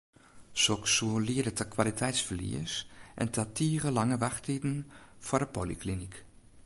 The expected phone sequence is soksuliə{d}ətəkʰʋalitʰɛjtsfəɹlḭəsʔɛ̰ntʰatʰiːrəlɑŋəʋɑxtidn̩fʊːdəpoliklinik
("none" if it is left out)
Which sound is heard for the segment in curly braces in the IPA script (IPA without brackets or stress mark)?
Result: d